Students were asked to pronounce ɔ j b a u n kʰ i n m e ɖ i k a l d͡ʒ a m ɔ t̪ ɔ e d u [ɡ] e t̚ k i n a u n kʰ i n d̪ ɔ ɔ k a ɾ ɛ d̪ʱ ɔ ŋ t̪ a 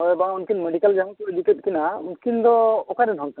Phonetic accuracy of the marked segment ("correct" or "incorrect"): incorrect